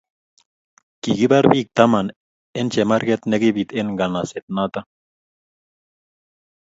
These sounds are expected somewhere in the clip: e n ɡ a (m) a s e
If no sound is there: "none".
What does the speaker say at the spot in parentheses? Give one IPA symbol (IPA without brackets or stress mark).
n